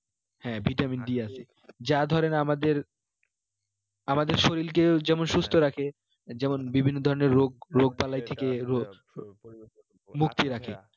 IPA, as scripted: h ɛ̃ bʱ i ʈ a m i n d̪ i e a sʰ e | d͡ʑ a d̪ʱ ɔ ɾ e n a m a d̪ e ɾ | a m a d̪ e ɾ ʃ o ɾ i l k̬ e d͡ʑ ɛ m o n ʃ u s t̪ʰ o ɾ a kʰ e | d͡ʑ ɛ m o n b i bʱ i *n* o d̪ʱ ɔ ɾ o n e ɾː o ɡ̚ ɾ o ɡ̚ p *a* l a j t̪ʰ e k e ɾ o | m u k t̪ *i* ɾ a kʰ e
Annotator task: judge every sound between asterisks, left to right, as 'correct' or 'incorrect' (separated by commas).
incorrect, correct, correct